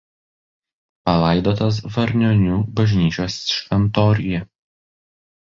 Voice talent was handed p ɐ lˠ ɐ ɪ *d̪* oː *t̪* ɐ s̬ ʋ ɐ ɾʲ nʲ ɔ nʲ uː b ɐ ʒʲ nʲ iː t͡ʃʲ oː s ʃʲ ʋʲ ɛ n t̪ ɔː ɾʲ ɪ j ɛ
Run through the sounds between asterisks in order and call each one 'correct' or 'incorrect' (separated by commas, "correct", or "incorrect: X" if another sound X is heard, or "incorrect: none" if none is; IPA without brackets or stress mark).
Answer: correct, correct